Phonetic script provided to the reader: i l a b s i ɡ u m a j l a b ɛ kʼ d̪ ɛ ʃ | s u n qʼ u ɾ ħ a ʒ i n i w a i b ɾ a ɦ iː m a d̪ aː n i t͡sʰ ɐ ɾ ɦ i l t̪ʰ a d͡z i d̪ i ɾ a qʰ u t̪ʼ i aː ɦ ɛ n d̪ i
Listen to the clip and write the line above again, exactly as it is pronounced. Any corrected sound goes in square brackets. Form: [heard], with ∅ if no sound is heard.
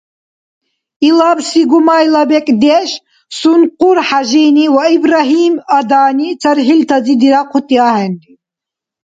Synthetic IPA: i l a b s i ɡ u m a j l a b ɛ kʼ d̪ ɛ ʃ | s u n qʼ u ɾ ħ a ʒ i n i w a i b ɾ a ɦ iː m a d̪ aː n i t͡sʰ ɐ ɾ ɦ i l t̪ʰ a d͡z i d̪ i ɾ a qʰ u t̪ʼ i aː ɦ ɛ n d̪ i